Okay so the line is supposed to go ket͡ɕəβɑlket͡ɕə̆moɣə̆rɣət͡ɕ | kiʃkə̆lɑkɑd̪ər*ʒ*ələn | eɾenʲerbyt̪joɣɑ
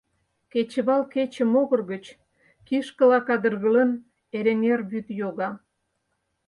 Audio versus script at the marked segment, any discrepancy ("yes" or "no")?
yes